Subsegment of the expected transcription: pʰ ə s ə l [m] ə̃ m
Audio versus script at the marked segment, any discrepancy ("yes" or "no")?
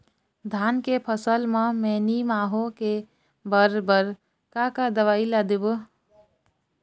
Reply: no